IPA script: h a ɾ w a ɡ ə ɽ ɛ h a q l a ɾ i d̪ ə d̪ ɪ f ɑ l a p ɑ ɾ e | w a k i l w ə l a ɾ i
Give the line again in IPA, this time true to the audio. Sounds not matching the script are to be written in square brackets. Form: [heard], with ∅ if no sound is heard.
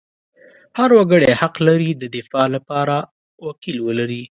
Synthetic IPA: h a ɾ w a ɡ ə ɽ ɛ h a q l a ɾ i d̪ ə d̪ ɪ f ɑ l a p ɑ ɾ [a] | w a k i l w ə l a ɾ i